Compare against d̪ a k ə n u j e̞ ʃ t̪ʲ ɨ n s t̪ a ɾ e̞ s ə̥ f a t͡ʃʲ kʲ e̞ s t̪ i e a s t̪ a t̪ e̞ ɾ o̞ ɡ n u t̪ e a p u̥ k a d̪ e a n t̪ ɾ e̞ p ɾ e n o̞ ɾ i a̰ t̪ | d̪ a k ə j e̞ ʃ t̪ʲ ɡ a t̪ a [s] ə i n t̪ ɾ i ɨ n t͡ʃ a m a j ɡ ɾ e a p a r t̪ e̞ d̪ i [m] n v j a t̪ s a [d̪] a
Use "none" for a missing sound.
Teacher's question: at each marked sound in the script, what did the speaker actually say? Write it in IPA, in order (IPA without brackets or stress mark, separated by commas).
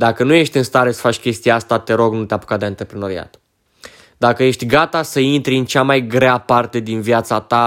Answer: s, none, t̪